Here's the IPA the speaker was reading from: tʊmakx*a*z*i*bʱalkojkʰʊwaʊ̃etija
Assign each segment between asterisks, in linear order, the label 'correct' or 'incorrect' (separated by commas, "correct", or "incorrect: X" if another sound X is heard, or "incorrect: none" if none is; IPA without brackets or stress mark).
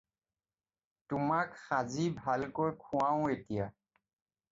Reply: correct, correct